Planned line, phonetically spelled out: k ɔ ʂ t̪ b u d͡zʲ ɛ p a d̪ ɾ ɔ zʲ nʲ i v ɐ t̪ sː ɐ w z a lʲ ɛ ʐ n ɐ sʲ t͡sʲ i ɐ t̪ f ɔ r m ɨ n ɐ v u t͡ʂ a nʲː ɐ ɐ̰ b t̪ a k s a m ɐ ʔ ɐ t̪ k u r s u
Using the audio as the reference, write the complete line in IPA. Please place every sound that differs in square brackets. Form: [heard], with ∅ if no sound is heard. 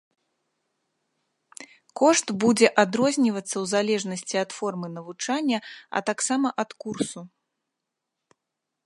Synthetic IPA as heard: k ɔ ʂ t̪ b u d͡zʲ ɛ [ʔ] a d̪ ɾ ɔ zʲ nʲ i v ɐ t̪ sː ɐ w z a lʲ ɛ ʐ n ɐ sʲ t͡sʲ i ɐ t̪ f ɔ r m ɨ n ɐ v u t͡ʂ a nʲː ɐ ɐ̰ [∅] t̪ a k s a m ɐ ʔ ɐ t̪ k u r s u